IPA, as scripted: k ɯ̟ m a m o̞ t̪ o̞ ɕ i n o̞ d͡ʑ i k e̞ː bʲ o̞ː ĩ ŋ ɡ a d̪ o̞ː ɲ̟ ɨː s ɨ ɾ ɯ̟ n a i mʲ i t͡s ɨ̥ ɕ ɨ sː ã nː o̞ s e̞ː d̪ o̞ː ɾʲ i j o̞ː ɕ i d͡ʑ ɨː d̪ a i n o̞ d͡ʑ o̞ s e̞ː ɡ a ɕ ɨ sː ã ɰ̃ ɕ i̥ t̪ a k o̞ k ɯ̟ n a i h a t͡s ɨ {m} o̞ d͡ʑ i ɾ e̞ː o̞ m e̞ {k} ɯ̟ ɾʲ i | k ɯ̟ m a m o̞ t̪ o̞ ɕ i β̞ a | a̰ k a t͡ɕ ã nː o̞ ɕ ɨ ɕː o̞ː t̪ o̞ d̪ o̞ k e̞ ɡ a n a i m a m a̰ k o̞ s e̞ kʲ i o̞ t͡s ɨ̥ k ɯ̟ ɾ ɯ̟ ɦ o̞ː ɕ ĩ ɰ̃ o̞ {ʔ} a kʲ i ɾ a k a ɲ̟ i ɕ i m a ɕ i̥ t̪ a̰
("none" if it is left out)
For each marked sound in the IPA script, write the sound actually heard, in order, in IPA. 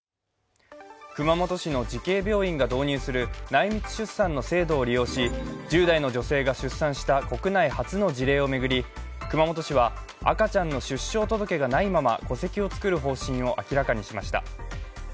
n, ɡ, ʔ

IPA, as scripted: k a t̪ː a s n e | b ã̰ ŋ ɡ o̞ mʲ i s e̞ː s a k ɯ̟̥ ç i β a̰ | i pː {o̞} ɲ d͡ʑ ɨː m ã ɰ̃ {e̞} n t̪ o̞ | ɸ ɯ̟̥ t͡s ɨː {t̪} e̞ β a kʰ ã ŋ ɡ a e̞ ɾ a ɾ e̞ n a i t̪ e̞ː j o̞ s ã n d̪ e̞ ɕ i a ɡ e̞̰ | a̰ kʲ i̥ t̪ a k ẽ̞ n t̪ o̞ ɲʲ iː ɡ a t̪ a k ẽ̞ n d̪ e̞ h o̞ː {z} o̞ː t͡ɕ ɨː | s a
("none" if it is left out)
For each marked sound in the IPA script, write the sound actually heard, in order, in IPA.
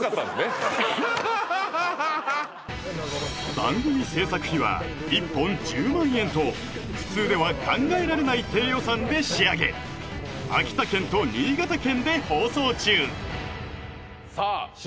õ̞, ẽ̞, d̪, s

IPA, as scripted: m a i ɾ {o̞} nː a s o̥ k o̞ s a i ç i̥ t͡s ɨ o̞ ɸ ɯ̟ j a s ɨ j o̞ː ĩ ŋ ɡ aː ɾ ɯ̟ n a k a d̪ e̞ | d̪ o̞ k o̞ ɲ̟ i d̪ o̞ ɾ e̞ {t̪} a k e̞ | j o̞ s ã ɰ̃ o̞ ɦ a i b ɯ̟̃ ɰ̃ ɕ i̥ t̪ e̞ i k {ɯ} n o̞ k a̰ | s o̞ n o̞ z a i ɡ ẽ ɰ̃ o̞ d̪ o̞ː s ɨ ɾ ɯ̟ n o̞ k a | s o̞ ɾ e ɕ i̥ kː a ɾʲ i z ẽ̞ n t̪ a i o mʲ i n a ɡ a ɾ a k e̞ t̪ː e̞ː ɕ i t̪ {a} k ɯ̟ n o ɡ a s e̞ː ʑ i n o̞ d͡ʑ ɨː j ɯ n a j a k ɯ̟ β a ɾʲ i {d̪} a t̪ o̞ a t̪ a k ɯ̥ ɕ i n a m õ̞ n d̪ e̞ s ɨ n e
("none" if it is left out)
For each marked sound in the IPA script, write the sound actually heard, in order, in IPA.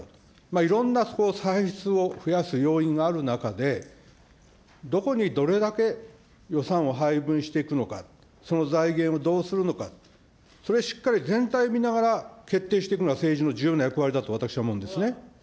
õ̞, d̪, ɯ, e, d̪

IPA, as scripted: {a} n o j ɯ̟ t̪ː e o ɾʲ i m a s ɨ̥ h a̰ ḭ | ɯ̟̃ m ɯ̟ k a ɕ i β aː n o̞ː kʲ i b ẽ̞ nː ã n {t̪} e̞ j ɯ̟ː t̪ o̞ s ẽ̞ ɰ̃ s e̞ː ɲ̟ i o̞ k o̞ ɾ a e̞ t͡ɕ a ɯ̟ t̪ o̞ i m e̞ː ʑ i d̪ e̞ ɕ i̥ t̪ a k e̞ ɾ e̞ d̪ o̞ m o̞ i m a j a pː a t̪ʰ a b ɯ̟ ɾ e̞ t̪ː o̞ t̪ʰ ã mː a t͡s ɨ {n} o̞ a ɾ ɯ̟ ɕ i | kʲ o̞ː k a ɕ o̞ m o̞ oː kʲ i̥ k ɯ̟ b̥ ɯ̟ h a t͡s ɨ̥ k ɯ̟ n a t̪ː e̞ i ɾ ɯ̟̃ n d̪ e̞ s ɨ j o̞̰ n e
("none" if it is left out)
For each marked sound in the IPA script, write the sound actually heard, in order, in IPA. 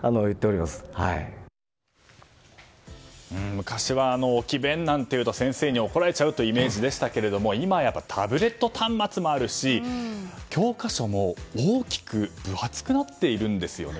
a, t̪, m

